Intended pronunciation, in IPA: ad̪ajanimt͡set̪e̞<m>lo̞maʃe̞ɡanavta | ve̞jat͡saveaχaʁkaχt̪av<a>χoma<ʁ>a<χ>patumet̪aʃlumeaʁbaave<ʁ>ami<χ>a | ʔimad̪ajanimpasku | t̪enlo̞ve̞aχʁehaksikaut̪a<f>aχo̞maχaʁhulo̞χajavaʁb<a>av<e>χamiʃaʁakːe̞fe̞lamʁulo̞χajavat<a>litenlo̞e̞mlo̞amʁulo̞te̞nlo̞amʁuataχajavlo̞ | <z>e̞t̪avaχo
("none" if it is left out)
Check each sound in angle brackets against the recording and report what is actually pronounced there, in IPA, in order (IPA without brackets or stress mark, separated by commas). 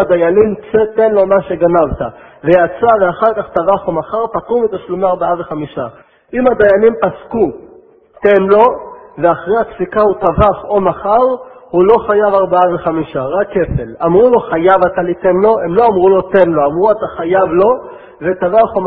n, a, χ, ʁ, χ, ʃ, v, a, e, a, v